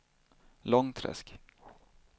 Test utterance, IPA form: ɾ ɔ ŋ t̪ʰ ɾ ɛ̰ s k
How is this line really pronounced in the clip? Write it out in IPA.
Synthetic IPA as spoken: l ɔ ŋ t̪ʰ ɾ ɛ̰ s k